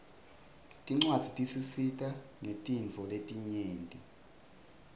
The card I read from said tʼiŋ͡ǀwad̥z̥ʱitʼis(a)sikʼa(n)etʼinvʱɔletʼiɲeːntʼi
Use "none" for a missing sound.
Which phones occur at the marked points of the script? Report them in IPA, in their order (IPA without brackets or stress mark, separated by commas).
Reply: i, ŋ